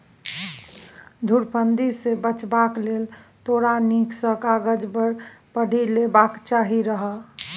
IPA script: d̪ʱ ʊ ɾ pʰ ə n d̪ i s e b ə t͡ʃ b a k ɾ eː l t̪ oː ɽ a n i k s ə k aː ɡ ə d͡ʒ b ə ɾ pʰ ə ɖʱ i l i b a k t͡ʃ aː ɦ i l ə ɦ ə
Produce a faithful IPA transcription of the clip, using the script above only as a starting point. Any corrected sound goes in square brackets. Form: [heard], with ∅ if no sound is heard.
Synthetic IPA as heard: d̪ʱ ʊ ɾ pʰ ə n d̪ i s e b ə t͡ʃ b a k [l] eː l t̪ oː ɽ a n i k s ə k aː ɡ ə d͡ʒ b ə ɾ [p] ə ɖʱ i l [e] b a k t͡ʃ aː ɦ i [ɾ] ə ɦ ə